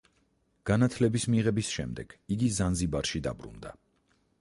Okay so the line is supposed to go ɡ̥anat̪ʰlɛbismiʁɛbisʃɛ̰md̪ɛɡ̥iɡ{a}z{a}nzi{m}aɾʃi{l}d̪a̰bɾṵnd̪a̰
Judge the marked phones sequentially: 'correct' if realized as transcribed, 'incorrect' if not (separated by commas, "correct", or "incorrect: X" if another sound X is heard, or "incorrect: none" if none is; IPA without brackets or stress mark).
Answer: incorrect: i, correct, incorrect: b, incorrect: none